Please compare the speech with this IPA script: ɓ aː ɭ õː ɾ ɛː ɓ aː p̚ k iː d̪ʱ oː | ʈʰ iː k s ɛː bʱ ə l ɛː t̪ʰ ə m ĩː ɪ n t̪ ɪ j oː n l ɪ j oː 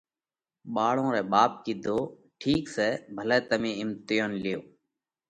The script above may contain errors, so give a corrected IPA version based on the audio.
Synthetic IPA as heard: ɓ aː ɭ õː ɾ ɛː ɓ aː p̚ k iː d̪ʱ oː | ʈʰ iː k s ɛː bʱ ə l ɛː t̪ ə m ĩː ɪ m t̪ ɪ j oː n l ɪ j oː